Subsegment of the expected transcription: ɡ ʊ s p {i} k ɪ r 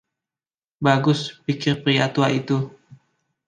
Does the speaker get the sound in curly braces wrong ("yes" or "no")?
no